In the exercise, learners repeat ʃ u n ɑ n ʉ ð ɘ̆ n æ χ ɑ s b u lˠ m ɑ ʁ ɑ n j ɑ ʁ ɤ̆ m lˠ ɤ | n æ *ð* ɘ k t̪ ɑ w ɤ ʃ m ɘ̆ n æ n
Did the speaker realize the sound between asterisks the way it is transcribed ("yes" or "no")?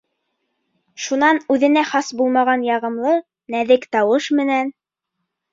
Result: yes